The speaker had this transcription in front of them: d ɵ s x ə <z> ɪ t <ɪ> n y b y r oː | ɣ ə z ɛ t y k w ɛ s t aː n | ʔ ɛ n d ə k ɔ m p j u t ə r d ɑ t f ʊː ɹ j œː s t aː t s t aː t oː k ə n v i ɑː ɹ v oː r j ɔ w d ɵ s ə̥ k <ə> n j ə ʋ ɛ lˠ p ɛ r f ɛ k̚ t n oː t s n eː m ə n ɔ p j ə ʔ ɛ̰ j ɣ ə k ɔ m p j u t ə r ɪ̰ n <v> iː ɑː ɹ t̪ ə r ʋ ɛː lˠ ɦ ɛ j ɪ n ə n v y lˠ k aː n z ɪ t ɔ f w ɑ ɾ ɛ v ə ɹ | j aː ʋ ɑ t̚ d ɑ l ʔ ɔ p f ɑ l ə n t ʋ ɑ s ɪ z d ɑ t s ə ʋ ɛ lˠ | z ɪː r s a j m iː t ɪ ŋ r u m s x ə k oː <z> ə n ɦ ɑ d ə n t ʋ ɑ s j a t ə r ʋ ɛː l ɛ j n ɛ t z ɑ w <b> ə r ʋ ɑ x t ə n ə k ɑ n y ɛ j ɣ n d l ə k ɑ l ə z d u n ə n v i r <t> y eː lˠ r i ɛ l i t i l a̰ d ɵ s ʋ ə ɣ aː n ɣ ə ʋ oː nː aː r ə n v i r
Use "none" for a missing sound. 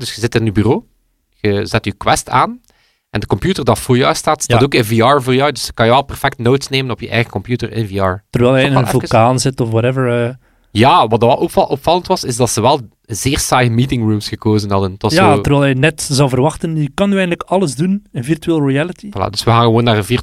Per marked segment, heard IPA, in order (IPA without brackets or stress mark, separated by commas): z, ɪ, ɑ, v, z, v, t